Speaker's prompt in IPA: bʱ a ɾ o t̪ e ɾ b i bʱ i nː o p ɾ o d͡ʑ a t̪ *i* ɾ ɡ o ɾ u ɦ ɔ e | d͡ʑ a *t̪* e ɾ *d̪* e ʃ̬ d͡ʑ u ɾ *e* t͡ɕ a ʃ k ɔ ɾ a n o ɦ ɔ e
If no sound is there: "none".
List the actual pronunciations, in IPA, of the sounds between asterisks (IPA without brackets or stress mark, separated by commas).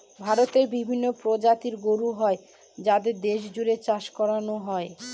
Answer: i, d̪, d̪, e